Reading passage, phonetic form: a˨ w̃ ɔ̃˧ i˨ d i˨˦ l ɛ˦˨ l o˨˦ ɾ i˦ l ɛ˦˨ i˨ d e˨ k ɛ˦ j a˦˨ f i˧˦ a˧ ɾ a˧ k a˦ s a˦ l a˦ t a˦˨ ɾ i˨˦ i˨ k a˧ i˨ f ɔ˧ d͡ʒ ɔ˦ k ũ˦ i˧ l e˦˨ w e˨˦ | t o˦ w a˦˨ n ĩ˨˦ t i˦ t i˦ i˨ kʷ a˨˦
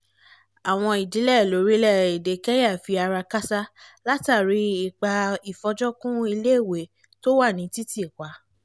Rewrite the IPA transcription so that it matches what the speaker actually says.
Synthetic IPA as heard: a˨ w̃ ɔ̃˧ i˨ d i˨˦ l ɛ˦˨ l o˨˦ ɾ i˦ l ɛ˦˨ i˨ d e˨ k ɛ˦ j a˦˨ f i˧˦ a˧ ɾ a˧ k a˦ s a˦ l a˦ t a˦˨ ɾ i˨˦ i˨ k͡p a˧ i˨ f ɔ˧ d͡ʒ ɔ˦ k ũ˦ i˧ l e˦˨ w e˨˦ | t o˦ w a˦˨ n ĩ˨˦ t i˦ t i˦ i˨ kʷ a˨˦